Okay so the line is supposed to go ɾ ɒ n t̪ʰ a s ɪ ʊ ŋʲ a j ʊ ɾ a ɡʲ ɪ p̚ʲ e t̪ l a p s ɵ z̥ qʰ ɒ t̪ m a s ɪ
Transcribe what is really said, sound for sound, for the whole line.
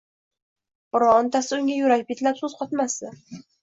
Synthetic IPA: ɾ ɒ n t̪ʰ a s ɪ ʊ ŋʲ a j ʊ ɾ a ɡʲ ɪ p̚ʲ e t̪ l a p s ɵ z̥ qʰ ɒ t̪ m a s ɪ